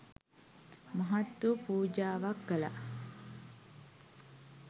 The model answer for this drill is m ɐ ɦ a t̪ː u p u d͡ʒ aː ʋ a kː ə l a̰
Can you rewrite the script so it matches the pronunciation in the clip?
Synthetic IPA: m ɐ ɦ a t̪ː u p uː d͡ʒ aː ʋ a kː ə l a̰